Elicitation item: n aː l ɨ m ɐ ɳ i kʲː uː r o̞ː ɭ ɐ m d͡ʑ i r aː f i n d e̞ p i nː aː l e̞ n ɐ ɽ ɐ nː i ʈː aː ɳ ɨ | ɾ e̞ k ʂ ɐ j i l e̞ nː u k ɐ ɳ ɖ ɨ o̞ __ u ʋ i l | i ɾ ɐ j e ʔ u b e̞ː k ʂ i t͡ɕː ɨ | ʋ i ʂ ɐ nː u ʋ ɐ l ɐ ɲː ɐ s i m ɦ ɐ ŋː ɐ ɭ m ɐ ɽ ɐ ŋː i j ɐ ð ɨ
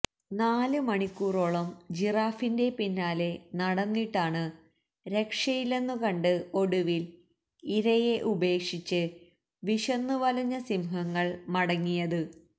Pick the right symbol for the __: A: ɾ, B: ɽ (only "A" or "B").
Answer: B